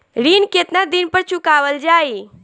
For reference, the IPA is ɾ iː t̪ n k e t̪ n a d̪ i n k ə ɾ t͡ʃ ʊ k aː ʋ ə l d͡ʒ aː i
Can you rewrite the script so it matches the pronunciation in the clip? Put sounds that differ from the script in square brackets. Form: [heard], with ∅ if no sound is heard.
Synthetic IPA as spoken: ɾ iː [∅] n k e t̪ n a d̪ i n [p] ə ɾ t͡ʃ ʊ k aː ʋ ə l d͡ʒ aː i

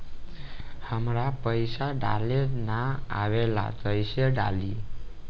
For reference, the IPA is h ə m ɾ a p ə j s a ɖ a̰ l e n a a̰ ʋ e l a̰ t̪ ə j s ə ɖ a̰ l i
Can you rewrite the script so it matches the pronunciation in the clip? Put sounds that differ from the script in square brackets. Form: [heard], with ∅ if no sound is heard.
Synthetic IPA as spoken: h ə m ɾ a p ə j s a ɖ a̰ l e n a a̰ ʋ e l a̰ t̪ ə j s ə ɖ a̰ l i

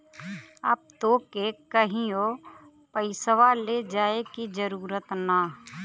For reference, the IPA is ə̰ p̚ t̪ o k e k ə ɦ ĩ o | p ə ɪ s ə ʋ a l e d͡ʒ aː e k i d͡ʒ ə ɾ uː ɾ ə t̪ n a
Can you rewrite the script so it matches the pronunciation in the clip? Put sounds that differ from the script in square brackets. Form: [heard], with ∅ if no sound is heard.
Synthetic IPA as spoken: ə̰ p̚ t̪ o k e k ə ɦ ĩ o | p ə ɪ s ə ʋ a l e d͡ʒ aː e k i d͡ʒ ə ɾ uː ɾ ə t̪ n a

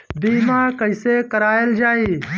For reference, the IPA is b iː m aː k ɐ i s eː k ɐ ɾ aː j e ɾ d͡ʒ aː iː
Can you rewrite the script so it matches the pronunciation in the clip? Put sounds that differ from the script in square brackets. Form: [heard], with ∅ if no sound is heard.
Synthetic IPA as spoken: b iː m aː k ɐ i s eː k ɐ ɾ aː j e [l] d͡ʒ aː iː

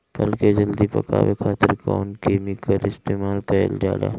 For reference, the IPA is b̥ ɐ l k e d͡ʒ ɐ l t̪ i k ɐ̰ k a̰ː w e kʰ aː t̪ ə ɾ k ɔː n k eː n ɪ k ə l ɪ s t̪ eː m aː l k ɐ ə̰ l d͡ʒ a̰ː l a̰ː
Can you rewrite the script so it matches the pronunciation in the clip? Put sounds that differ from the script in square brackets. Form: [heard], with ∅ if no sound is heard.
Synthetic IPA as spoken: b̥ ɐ l k e d͡ʒ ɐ l [d̪] i [p] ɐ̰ k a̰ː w e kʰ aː t̪ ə ɾ k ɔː n k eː [m] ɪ k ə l ɪ s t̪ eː m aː l k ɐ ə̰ l d͡ʒ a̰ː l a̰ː

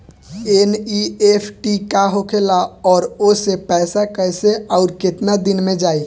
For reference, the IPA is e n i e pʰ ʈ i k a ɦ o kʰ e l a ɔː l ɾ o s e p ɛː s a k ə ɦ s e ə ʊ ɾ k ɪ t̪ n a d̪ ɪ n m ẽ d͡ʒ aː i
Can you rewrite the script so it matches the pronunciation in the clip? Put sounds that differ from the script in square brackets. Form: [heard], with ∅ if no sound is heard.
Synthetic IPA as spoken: e n i e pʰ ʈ i k a ɦ o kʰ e l a ɔː [∅] ɾ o s e p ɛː s a k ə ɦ s e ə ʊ ɾ k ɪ t̪ n a d̪ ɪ n m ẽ d͡ʒ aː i

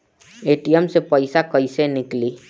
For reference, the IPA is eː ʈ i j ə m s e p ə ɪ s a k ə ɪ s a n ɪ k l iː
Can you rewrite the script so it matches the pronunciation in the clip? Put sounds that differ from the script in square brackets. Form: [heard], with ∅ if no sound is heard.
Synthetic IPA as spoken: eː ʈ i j ə m s e p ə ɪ s a k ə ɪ s [e] n ɪ k l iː

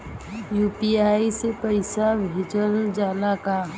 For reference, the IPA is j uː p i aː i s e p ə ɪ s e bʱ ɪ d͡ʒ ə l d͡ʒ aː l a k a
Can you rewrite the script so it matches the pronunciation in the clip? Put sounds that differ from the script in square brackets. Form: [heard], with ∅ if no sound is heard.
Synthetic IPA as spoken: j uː p i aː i s e p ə ɪ s [a] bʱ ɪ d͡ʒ ə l d͡ʒ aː l a k a

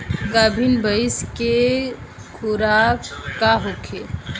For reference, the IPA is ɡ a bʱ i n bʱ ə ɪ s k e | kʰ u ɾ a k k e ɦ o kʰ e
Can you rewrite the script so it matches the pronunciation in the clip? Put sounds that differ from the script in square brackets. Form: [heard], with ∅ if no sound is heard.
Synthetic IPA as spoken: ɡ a bʱ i n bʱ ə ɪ s k e | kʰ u ɾ a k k [a] ɦ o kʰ e

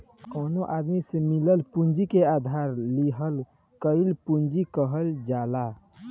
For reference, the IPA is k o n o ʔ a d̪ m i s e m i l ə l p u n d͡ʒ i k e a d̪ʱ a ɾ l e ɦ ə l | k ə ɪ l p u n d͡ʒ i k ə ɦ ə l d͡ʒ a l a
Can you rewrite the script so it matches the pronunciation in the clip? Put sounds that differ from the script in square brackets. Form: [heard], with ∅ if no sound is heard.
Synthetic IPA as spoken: k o n o ʔ a d̪ m i s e m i l ə l p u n d͡ʒ i k e a d̪ʱ a ɾ l [i] ɦ ə l | k ə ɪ l p u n d͡ʒ i k ə ɦ ə l d͡ʒ a l a

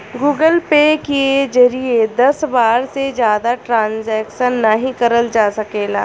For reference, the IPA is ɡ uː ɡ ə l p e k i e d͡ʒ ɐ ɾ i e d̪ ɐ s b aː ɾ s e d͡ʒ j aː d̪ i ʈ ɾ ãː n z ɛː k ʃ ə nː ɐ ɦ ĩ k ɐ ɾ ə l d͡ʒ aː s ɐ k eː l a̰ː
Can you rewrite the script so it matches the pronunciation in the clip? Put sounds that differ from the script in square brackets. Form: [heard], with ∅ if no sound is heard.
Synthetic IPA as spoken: ɡ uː ɡ ə l p e k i e d͡ʒ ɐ ɾ i e d̪ ɐ s b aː ɾ s e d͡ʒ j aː d̪ [a] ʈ ɾ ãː n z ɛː k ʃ ə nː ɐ ɦ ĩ k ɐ ɾ ə l d͡ʒ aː s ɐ k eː l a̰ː

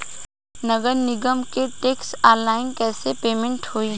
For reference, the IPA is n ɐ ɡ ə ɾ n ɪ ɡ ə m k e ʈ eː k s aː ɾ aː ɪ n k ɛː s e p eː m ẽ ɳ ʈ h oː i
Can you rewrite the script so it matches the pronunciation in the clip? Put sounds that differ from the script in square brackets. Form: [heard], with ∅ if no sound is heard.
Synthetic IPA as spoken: n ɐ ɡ ə ɾ n ɪ ɡ ə m k e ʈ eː k s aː [l] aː ɪ n k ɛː s e p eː m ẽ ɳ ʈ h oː i

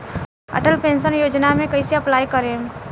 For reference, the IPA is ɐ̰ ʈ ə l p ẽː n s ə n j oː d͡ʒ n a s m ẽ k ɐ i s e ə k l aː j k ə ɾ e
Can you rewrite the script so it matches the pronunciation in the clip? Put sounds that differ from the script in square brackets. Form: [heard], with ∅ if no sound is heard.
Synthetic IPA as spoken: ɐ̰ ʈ ə l p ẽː n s ə n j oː d͡ʒ n a [∅] m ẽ k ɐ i s e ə [p] l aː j k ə ɾ e

